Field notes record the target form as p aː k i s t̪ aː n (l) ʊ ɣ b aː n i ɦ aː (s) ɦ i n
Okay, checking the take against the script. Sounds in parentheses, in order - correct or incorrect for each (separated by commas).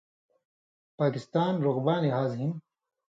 incorrect, incorrect